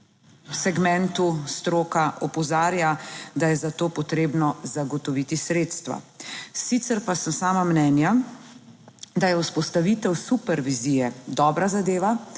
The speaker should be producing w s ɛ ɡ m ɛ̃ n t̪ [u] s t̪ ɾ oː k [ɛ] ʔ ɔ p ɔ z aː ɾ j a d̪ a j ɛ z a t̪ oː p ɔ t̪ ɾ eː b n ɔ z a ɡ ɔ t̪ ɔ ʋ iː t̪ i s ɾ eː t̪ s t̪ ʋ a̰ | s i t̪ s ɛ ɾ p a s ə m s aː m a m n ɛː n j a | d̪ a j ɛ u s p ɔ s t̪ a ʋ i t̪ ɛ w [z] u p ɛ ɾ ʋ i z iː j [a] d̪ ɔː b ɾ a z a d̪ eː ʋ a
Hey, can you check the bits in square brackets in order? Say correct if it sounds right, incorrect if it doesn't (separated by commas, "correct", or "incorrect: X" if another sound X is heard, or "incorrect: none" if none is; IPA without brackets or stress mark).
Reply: correct, incorrect: a, incorrect: s, incorrect: ɛ